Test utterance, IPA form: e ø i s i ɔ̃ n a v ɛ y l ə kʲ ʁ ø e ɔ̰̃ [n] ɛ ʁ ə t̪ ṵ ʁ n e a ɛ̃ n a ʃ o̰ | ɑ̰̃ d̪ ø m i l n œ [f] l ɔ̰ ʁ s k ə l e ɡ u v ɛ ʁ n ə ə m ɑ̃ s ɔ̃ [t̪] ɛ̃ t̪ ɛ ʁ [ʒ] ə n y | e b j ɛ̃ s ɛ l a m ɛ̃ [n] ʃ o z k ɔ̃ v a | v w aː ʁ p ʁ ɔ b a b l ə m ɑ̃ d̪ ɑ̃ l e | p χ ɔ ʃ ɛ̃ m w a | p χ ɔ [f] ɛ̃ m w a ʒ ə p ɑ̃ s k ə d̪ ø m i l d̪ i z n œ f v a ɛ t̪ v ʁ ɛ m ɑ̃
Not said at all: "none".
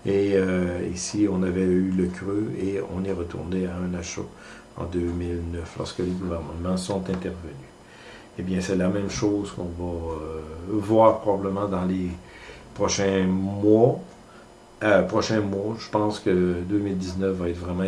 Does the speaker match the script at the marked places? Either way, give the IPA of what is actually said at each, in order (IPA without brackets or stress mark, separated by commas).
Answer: n, f, t̪, v, m, ʃ